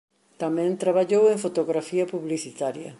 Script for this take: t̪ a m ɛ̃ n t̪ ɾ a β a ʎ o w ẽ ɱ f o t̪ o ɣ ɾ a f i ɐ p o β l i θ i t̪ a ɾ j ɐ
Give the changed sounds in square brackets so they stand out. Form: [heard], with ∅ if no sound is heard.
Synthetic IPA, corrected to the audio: t̪ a m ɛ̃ n t̪ ɾ a β a ʎ o w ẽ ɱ f o t̪ o ɣ ɾ a f i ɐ p [u] β l i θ i t̪ a ɾ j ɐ